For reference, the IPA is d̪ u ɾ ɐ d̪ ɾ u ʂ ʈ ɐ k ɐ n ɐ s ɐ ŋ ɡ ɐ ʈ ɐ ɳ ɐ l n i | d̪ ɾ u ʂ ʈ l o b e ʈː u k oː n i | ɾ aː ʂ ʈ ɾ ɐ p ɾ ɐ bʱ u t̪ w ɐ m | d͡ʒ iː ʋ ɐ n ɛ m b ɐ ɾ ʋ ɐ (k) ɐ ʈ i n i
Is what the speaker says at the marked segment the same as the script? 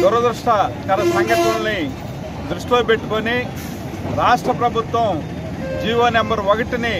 no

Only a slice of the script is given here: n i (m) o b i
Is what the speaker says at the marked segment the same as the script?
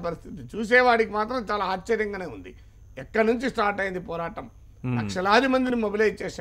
yes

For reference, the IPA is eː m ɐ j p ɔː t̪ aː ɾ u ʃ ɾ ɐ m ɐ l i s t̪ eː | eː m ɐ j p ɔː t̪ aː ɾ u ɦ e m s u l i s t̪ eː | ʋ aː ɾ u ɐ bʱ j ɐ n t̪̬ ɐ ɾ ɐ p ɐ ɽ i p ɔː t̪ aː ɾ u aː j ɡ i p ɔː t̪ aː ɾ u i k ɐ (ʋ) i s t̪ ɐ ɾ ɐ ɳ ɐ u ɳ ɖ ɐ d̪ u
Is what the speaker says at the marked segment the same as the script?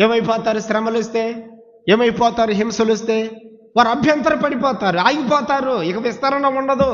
yes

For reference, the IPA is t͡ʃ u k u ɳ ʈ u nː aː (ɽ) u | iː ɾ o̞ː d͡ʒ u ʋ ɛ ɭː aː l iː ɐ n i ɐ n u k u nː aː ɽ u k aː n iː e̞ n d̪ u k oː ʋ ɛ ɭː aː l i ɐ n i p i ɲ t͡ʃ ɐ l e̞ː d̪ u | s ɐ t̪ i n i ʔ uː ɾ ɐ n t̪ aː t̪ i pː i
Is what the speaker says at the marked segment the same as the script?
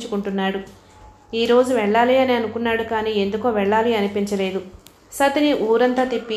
yes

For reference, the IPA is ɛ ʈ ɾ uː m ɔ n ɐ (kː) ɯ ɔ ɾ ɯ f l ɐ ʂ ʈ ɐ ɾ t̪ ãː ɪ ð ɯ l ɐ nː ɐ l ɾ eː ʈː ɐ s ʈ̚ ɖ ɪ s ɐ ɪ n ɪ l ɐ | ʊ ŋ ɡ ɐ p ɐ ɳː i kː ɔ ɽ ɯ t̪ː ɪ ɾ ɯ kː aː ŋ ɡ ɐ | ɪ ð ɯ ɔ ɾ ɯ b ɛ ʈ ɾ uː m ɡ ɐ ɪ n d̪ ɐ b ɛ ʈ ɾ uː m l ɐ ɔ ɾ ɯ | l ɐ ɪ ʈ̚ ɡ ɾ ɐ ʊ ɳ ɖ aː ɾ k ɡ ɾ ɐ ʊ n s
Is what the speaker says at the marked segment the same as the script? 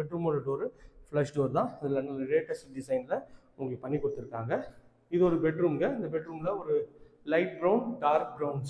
no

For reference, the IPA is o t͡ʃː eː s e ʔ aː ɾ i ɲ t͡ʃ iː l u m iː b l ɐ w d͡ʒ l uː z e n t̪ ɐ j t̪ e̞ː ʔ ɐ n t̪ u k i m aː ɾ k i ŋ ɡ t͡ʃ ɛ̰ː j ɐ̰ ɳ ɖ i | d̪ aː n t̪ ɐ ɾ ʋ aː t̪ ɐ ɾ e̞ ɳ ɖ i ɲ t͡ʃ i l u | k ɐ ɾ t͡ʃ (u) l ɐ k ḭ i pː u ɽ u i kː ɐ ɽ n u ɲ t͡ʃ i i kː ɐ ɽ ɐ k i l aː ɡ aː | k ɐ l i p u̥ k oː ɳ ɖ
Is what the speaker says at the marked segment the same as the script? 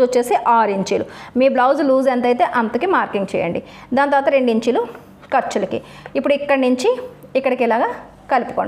yes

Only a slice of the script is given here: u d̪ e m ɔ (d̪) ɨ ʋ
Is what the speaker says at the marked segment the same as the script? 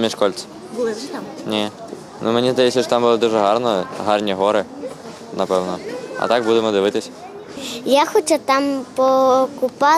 yes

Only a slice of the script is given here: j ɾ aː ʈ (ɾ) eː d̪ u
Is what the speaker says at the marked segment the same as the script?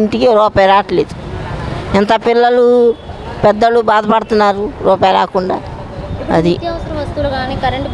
no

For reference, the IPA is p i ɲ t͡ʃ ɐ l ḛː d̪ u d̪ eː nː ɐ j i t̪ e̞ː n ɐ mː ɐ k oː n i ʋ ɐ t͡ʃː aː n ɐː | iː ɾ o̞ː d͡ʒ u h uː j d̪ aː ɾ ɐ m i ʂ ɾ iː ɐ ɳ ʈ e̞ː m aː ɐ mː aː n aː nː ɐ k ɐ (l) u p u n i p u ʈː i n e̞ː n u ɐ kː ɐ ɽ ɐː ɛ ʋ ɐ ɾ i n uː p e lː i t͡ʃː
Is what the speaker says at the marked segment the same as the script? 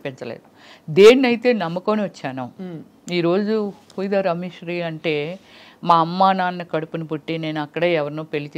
no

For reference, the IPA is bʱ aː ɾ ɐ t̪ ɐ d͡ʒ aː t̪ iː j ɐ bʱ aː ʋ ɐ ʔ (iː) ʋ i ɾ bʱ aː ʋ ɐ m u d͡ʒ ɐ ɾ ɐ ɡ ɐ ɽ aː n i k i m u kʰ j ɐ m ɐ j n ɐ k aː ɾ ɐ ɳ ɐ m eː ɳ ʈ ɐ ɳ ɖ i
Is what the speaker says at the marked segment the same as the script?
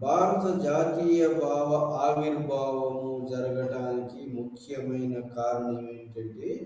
no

